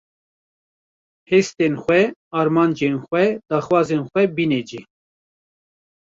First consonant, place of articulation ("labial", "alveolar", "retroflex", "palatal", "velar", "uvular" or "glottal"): glottal